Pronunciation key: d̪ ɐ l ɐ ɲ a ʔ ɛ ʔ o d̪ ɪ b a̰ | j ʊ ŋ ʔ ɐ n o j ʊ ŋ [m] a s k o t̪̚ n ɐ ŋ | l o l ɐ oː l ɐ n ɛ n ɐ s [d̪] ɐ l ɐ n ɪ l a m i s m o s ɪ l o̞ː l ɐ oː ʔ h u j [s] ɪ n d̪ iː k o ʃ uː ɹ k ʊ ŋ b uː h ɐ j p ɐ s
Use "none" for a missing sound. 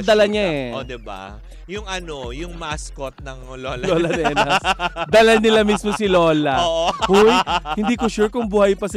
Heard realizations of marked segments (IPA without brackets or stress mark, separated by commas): m, d̪, h